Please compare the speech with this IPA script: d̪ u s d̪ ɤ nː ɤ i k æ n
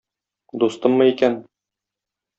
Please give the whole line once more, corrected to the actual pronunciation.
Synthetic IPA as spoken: d̪ u s t̪ ɤ mː ɤ i k æ n